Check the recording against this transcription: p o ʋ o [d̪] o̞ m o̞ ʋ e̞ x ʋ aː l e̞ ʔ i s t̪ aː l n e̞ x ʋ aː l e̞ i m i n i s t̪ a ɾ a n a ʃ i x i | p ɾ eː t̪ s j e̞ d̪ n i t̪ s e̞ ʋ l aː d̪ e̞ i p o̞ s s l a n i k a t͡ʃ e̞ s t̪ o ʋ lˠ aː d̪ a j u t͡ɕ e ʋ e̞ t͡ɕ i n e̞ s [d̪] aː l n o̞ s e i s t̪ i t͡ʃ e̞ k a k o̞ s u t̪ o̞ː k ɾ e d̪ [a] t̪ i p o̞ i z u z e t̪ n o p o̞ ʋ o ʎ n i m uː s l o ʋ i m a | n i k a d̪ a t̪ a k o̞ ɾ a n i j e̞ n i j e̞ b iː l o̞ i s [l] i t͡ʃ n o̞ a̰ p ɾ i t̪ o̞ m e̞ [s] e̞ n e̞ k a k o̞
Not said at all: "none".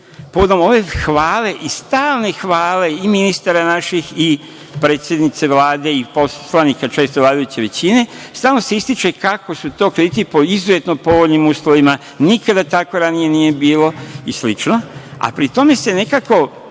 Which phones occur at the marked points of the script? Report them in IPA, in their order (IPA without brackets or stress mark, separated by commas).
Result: d̪, t̪, i, l, s